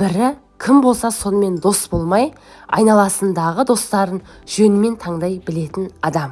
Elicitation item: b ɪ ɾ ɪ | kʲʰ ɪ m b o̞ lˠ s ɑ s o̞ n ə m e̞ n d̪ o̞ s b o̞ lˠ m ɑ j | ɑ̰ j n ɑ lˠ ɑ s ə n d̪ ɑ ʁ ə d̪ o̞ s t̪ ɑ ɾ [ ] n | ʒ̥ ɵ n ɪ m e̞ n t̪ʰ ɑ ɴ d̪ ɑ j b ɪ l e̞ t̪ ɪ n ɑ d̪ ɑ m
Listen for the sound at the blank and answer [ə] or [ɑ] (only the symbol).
ə